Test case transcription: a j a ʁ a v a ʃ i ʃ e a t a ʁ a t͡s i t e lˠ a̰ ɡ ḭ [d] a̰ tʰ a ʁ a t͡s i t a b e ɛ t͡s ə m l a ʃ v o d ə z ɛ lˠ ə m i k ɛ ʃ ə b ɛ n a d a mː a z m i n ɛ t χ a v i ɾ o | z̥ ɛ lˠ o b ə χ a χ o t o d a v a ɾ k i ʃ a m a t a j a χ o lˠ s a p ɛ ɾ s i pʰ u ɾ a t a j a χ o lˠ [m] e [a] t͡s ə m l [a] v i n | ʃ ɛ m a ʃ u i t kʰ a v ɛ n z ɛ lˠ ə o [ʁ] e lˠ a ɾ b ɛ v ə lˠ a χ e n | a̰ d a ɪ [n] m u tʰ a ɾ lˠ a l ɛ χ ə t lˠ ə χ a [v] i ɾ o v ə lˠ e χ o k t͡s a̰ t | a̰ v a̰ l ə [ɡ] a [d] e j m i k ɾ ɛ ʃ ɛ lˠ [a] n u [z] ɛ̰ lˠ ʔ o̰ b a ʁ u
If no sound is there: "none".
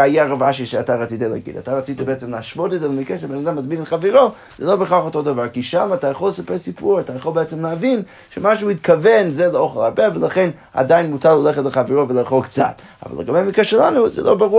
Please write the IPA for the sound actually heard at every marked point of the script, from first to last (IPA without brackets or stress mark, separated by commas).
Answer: d, b, ɛ, a, χ, n, v, ɡ, b, a, z